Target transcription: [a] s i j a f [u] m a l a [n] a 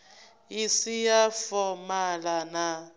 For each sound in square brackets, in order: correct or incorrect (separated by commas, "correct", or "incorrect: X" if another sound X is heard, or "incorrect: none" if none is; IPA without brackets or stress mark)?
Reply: incorrect: i, incorrect: ɔ, correct